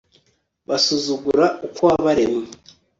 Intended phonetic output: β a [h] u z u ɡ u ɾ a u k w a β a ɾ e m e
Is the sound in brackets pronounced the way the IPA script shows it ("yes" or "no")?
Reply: no